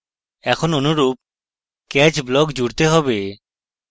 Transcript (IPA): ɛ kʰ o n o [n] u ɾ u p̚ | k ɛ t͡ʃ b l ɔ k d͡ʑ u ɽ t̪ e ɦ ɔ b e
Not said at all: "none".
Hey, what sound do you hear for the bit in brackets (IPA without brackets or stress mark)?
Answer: n